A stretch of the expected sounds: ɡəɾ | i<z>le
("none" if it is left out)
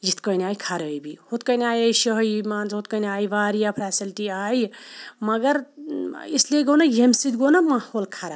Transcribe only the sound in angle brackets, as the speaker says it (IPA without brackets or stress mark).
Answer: s